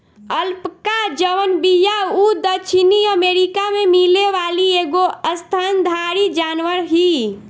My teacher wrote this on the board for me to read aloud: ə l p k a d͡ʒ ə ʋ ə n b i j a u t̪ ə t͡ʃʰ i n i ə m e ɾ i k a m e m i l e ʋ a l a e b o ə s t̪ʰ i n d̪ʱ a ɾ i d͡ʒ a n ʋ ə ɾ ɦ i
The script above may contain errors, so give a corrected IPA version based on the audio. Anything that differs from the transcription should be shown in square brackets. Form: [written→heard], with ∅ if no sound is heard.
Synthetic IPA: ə l p k a d͡ʒ ə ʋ ə n b i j a u [t̪→d̪] ə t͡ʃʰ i n i ə m e ɾ i k a m e m i l e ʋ a l [a→i] e [b→ɡ] o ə s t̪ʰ [i→a] n d̪ʱ a ɾ i d͡ʒ a n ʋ ə ɾ ɦ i